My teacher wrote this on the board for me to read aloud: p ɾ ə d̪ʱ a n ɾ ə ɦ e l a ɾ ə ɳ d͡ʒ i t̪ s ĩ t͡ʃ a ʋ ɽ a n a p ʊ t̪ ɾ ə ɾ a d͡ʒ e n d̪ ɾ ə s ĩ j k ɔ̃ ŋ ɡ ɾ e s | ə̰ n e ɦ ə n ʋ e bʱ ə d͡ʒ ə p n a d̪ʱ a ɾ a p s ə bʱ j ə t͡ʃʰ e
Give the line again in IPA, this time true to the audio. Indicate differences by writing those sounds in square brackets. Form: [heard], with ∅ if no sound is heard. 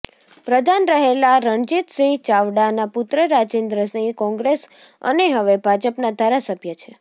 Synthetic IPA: p ɾ ə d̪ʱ a n ɾ ə ɦ e l a ɾ ə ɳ d͡ʒ i t̪ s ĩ t͡ʃ a ʋ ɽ a n a p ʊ t̪ ɾ ə ɾ a d͡ʒ e n d̪ ɾ ə s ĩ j k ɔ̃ ŋ ɡ ɾ e s | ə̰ n e ɦ ə [∅] ʋ e bʱ [a] d͡ʒ ə p n a d̪ʱ a ɾ a [∅] s ə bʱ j ə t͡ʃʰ e

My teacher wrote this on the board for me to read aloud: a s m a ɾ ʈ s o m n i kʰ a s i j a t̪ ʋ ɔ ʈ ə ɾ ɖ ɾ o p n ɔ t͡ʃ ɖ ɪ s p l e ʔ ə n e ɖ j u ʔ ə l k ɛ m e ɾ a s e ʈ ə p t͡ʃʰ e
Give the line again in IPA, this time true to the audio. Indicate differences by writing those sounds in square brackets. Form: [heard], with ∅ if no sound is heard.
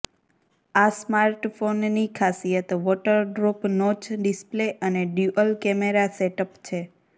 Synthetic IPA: a s m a ɾ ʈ [f] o [n] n i kʰ a s i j [ə] t̪ ʋ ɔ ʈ ə ɾ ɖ ɾ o p n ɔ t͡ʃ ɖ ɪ s p l e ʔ ə n e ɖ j u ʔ ə l k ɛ m e ɾ a s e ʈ ə p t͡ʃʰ e

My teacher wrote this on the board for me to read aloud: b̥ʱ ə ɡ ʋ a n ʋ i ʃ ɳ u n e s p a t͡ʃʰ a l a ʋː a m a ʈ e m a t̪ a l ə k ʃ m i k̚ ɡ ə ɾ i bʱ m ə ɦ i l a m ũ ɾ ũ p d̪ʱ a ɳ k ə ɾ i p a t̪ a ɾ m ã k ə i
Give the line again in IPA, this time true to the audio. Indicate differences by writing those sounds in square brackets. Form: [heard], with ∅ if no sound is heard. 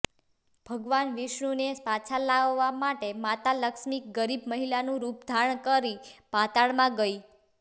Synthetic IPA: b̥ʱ ə ɡ ʋ a n ʋ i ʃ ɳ u n e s p a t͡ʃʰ a l a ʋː a m a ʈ e m a t̪ a l ə k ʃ m i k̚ ɡ ə ɾ i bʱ m ə ɦ i l a [n] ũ ɾ [u] p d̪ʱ a ɳ k ə ɾ i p a t̪ a [ɭ] m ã [ɡ] ə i

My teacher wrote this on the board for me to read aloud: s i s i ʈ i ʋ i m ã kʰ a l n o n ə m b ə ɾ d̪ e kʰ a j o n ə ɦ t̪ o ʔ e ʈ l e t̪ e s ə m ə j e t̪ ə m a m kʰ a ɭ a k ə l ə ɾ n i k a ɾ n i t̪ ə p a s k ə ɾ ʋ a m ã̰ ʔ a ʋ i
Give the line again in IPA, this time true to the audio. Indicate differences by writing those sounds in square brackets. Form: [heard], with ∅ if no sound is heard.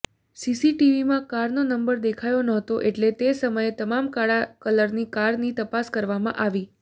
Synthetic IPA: s i s i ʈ i ʋ i m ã [k] a [ɾ] n o n ə m b ə ɾ d̪ e kʰ a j o n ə ɦ t̪ o ʔ e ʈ l e t̪ e s ə m ə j e t̪ ə m a m [k] a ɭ a k ə l ə ɾ n i k a ɾ n i t̪ ə p a s k ə ɾ ʋ a m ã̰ ʔ a ʋ i

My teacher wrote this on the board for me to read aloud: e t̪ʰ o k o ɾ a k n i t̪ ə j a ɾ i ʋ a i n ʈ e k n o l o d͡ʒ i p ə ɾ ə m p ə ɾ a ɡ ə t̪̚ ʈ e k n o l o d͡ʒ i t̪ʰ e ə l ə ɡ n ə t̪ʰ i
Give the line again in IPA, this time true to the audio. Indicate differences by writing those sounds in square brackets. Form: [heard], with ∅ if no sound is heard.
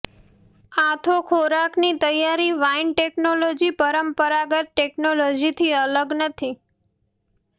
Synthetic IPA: [a] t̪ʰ o [kʰ] o ɾ a k n i t̪ ə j a ɾ i ʋ a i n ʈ e k n o l o d͡ʒ i p ə ɾ ə m p ə ɾ a ɡ ə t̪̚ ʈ e k n o l o d͡ʒ i t̪ʰ [i] ə l ə ɡ n ə t̪ʰ i

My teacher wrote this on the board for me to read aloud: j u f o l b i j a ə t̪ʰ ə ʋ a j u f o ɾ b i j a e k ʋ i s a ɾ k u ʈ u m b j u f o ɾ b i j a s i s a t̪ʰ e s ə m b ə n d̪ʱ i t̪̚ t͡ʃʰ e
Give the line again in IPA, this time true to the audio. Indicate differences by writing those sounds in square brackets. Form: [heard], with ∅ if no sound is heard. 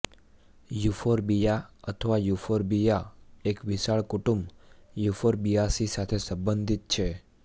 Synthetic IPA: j u f o [ɾ] b i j a ə t̪ʰ ə ʋ a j u f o ɾ b i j a e k ʋ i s a [ɭ] k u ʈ u m b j u f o ɾ b i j a s i s a t̪ʰ e s ə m b ə n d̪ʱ i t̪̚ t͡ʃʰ e

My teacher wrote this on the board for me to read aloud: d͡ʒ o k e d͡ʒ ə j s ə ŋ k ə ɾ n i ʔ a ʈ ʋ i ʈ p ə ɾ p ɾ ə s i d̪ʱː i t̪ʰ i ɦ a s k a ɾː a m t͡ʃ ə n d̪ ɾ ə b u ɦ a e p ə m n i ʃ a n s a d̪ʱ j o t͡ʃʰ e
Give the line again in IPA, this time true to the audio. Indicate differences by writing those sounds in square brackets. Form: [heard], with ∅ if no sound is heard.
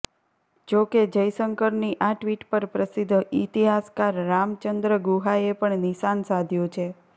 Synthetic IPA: d͡ʒ o k e d͡ʒ ə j s ə ŋ k ə ɾ n i ʔ a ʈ ʋ i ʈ p ə ɾ p ɾ ə s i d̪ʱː i [t̪] i ɦ a s k a ɾː a m t͡ʃ ə n d̪ ɾ ə [ɡ] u ɦ a e p ə [ɳ] n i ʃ a n s a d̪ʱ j o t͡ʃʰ e

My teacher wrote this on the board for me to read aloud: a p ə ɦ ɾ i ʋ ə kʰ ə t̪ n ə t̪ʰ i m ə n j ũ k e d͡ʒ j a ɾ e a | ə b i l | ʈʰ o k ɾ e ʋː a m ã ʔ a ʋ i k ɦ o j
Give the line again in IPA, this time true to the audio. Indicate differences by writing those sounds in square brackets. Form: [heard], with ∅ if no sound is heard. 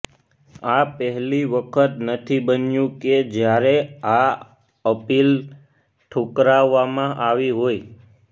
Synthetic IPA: a p ə ɦ [l] i ʋ ə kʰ ə t̪ n ə t̪ʰ i [b] ə n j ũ k e d͡ʒ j a ɾ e a | ə [p] i l | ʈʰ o k ɾ [a] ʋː a m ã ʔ a ʋ i [∅] ɦ o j

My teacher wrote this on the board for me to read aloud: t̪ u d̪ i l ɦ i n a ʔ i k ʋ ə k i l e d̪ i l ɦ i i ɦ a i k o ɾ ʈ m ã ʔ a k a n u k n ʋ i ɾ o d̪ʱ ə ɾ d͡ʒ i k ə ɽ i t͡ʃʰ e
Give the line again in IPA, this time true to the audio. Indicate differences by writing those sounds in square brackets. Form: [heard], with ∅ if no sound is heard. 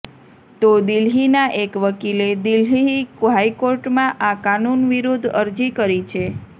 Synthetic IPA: t̪ [o] d̪ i l ɦ i n a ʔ [e] k ʋ ə k i l e d̪ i l ɦ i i ɦ a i k o ɾ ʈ m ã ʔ a k a n u [∅] n ʋ i ɾ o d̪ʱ ə ɾ d͡ʒ i k ə [ɾ] i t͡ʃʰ e

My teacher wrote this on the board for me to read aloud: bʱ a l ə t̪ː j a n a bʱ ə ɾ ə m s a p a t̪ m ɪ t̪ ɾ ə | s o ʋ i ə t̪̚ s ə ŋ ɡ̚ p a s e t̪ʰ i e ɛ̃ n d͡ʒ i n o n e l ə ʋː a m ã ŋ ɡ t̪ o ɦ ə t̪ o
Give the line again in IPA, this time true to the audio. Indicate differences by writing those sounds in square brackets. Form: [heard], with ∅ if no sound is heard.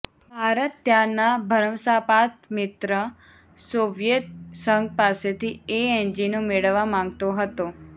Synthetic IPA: bʱ a [ɾ] ə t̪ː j a n a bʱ ə ɾ ə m s a p a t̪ m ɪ t̪ ɾ ə | s o ʋ [j] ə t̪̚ s ə ŋ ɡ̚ p a s e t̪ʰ i e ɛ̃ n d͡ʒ i n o [m] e [ɭ] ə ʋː a m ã ŋ ɡ t̪ o ɦ ə t̪ o

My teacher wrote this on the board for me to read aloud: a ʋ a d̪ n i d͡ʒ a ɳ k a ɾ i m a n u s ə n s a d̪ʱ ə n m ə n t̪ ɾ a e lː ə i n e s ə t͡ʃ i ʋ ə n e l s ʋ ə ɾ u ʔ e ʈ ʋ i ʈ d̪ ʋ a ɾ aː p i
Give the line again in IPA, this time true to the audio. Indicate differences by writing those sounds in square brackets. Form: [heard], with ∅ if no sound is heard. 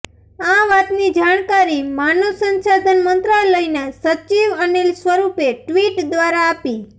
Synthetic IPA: a ʋ a [t̪] n i d͡ʒ a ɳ k a ɾ i m a n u s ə n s a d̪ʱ ə n m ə n t̪ ɾ a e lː ə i n e s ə t͡ʃ i ʋ ə n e l s ʋ ə ɾ u [p] e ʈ ʋ i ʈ d̪ ʋ a ɾ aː p i

